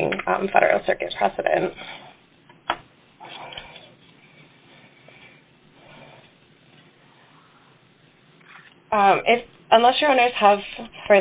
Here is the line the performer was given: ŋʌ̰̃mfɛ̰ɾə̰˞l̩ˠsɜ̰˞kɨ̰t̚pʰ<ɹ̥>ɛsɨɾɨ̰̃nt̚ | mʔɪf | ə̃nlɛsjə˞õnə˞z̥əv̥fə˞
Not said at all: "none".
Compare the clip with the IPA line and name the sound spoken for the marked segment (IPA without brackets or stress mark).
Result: ɹ̥